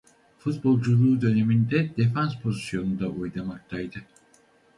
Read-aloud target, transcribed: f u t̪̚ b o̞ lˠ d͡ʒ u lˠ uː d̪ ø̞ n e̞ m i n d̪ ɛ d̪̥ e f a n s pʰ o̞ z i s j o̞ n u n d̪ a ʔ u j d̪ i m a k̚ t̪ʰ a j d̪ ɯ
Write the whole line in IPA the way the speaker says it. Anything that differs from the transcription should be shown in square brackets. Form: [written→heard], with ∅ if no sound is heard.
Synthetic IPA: f u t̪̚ b o̞ lˠ d͡ʒ u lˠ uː d̪ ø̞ n e̞ m i n d̪ ɛ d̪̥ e f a n s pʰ o̞ z i s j o̞ n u n d̪ a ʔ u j d̪ [i→a] m a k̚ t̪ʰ a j d̪ ɯ